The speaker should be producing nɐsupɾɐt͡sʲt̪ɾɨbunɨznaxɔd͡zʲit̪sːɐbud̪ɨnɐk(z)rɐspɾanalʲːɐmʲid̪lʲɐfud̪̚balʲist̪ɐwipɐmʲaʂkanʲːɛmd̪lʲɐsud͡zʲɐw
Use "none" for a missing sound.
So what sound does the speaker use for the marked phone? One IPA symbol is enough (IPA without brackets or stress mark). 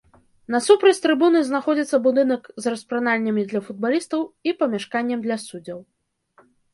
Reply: z